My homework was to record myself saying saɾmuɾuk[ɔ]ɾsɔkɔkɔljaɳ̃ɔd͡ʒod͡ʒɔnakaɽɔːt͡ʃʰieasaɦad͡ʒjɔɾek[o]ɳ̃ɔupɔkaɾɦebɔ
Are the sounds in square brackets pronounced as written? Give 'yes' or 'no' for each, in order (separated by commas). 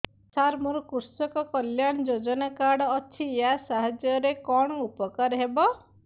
no, no